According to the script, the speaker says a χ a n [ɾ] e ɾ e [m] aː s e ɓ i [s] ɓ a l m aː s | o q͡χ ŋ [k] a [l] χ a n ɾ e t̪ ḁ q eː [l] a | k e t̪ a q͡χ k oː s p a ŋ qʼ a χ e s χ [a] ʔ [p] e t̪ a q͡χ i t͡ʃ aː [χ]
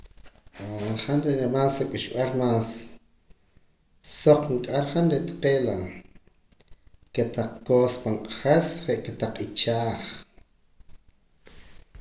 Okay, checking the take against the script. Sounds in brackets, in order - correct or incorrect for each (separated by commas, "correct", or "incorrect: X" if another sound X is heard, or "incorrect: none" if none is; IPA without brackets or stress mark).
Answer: correct, correct, incorrect: ʃ, incorrect: kʼ, incorrect: ɾ, correct, incorrect: e, incorrect: k, correct